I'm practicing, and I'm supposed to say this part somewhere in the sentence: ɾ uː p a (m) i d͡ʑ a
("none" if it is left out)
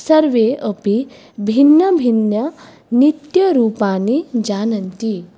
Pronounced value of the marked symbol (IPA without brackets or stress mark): n